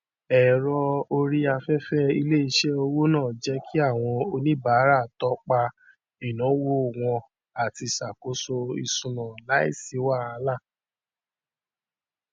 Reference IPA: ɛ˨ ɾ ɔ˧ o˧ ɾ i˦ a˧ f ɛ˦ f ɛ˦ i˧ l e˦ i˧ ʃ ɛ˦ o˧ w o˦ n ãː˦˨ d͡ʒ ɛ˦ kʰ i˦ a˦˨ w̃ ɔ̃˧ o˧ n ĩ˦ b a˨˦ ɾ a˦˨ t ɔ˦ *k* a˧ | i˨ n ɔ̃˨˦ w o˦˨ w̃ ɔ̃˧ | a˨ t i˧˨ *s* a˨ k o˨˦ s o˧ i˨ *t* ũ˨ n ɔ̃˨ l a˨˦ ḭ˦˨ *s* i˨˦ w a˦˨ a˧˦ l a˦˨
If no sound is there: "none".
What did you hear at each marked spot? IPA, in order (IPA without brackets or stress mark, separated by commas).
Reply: k͡p, s, s, s